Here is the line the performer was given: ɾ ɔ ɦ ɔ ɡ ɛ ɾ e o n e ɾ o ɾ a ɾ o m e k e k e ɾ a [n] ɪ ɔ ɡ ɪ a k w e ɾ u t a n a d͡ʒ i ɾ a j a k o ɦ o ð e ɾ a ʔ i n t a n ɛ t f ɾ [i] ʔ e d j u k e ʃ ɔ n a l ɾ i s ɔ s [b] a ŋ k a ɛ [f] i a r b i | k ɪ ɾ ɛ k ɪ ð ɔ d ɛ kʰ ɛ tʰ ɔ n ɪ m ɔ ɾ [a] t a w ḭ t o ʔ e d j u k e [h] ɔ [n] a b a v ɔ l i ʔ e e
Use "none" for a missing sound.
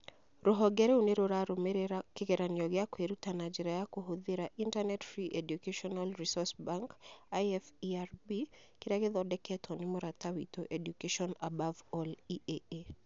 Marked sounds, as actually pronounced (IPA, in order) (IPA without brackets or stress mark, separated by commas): n, i, b, f, a, ʃ, n